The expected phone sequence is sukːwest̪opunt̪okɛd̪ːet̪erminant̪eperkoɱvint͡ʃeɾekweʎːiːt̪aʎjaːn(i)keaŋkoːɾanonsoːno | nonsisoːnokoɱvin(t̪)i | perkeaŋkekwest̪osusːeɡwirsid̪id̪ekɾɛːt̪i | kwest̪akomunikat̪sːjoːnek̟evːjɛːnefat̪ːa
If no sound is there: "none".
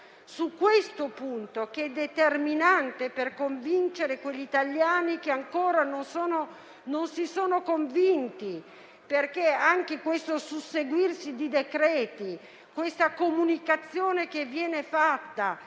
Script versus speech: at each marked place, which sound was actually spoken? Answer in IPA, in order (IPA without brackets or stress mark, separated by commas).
i, t̪